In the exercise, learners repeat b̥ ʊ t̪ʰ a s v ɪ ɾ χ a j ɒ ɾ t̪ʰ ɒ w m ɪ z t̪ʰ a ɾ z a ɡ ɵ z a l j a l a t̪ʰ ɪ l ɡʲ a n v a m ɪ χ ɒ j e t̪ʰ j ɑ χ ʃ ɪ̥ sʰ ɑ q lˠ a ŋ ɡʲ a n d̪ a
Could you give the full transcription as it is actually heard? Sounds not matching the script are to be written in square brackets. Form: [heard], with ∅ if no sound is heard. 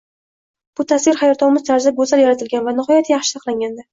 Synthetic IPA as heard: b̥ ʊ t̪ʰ a s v ɪ ɾ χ a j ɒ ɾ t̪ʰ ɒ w m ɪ z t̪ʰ a ɾ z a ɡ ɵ z a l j a [ɾ] a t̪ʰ ɪ l ɡʲ a n v a [n] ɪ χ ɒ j [a] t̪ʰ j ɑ χ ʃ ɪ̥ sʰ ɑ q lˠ a ŋ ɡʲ a n d̪ a